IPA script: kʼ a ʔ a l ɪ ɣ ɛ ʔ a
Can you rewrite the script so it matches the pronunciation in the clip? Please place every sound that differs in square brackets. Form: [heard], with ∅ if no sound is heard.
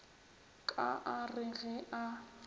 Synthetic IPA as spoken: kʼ a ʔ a [r] ɪ ɣ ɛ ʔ a